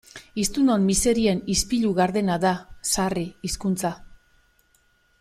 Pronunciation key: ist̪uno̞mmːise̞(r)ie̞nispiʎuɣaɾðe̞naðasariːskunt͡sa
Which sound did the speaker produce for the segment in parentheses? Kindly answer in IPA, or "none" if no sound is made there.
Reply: ɾ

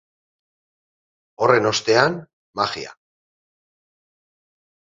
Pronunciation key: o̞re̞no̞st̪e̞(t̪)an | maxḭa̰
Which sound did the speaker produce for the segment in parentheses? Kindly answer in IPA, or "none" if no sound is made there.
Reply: none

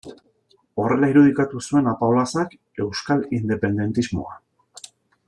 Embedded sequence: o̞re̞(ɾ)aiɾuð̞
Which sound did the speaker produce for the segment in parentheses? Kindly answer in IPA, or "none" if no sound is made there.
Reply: l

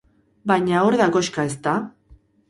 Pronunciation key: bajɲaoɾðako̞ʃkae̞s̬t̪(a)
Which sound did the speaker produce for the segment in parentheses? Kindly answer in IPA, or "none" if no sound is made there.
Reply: a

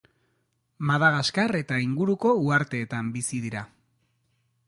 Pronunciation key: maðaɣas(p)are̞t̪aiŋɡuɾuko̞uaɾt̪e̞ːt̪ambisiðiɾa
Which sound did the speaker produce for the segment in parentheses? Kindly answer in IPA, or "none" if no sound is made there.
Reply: k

